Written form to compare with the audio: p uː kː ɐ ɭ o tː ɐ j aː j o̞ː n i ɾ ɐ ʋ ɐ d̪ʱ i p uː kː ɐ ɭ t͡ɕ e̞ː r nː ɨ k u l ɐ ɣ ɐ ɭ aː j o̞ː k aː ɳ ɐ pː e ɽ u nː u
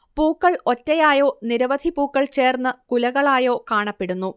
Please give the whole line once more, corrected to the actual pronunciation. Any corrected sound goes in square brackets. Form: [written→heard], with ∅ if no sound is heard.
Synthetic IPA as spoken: p uː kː ɐ ɭ o tː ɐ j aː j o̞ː n i ɾ ɐ ʋ ɐ d̪ʱ i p uː kː ɐ ɭ t͡ɕ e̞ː r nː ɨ k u l ɐ ɣ ɐ ɭ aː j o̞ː k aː ɳ ɐ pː e ɽ u nː u